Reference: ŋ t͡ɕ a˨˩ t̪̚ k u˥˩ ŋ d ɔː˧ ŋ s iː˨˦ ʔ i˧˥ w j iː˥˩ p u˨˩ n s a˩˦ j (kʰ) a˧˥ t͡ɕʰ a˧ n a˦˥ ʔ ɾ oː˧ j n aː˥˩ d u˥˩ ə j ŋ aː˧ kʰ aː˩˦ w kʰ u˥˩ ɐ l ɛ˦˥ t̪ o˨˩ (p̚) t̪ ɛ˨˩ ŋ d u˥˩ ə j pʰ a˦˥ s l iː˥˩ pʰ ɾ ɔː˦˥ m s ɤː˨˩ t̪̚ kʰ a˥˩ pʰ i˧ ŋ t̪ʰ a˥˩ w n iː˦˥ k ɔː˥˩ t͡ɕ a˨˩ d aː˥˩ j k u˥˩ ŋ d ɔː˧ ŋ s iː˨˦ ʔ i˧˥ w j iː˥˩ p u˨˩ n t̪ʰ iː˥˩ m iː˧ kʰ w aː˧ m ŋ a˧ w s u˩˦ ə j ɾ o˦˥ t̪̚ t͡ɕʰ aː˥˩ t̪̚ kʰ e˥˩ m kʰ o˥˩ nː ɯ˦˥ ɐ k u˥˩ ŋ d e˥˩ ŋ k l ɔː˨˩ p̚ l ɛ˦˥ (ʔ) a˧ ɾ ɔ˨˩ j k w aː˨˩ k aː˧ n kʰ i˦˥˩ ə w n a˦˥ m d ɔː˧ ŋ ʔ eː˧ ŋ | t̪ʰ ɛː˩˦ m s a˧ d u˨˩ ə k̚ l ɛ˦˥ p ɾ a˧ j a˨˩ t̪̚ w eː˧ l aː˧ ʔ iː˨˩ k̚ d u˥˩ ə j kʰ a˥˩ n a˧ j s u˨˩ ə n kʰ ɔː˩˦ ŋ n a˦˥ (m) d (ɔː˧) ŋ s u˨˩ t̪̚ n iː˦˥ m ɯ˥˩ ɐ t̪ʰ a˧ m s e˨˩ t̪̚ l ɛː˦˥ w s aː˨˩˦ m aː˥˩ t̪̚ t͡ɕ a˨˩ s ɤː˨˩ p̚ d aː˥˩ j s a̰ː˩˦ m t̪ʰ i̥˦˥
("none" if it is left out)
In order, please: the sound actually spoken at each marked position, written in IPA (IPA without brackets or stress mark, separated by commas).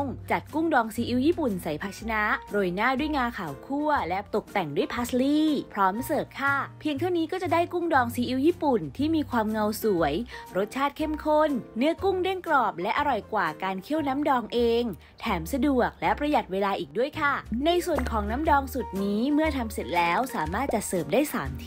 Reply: pʰ, k̚, ʔ, m, ɔː˧